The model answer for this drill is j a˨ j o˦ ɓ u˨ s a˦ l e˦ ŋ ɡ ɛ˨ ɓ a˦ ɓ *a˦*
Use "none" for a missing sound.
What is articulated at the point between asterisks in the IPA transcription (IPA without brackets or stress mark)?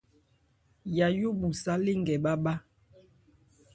a˦